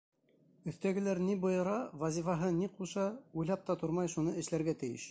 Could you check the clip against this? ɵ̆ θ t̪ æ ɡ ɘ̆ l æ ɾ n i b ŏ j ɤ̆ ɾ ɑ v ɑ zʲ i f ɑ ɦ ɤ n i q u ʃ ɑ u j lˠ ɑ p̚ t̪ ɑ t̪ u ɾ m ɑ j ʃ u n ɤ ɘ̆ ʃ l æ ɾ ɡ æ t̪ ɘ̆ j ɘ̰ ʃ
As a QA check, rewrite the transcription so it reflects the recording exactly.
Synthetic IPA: ɵ̆ θ t̪ æ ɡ ɘ̆ l æ ɾ n i b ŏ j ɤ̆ ɾ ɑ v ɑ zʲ i f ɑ ɦ ɤ n i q u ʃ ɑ u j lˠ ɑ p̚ t̪ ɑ t̪ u ɾ m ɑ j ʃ u n ɤ ɘ̆ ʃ l æ ɾ ɡ æ t̪ ɘ̆ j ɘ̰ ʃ